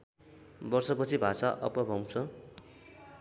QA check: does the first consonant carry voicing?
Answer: yes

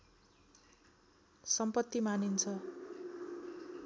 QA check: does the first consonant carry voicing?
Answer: no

